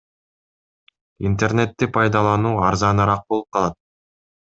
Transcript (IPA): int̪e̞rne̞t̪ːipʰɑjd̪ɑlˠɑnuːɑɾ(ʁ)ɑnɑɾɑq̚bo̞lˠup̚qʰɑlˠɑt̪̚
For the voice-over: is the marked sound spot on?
no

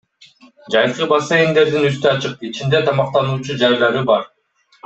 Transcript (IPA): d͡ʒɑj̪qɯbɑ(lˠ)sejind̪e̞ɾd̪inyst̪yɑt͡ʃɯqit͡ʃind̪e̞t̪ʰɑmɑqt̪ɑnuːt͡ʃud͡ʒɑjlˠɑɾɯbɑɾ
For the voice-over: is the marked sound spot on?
no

